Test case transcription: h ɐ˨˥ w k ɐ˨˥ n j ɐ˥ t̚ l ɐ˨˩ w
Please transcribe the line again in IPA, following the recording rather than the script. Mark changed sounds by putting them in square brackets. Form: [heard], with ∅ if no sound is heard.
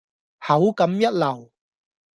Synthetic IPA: h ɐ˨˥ w k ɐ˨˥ [m] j ɐ˥ t̚ l ɐ˨˩ w